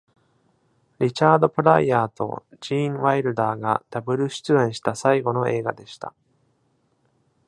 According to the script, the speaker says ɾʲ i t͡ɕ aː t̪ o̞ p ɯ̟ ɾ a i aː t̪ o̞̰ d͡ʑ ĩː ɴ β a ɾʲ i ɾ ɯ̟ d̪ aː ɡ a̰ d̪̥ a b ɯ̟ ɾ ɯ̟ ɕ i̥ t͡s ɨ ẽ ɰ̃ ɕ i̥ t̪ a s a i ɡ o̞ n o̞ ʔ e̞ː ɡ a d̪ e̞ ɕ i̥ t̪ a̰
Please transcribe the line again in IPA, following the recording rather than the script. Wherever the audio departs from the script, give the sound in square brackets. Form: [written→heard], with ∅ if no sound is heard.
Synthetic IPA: ɾʲ i t͡ɕ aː [t̪→d̪] o̞ p ɯ̟ ɾ a i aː t̪ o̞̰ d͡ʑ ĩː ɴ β a [ɾʲ→∅] i ɾ ɯ̟ d̪ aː ɡ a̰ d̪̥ a b ɯ̟ ɾ ɯ̟ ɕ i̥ t͡s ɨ ẽ ɰ̃ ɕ i̥ t̪ a s a i ɡ o̞ n o̞ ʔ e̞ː ɡ a d̪ e̞ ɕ i̥ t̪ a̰